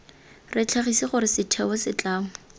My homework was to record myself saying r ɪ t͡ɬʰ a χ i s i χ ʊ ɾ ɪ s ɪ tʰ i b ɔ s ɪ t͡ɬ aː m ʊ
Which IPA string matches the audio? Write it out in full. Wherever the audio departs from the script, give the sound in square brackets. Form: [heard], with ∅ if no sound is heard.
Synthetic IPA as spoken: r ɪ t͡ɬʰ a χ i s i χ ʊ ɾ ɪ s ɪ tʰ [ɛ] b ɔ s ɪ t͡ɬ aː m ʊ